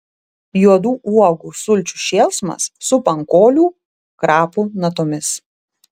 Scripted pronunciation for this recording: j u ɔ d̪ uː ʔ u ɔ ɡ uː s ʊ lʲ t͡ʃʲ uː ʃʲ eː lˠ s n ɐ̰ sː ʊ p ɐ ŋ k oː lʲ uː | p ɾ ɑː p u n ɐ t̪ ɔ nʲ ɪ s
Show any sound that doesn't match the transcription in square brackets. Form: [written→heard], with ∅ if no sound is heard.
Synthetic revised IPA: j u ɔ d̪ uː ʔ u ɔ ɡ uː s ʊ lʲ t͡ʃʲ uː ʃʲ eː lˠ s [n→m] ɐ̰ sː ʊ p ɐ ŋ k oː lʲ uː | [p→k] ɾ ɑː p u n ɐ t̪ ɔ [nʲ→mʲ] ɪ s